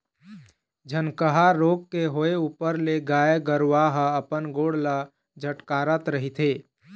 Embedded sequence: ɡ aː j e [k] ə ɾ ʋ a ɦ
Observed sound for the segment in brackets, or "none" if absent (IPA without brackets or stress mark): ɡ